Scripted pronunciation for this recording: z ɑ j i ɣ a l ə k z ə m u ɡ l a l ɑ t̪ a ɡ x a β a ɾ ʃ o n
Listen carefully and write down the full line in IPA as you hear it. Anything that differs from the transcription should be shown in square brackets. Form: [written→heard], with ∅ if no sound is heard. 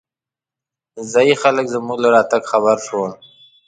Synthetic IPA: z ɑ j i [ɣ→x] a l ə k z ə m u ɡ l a [l→ɾ] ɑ t̪ a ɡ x a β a ɾ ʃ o n